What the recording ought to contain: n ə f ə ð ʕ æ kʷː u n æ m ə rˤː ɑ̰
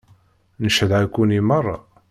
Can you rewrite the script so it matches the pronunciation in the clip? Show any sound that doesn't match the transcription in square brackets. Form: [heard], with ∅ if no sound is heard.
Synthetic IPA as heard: n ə [ʃ] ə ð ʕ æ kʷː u n [i] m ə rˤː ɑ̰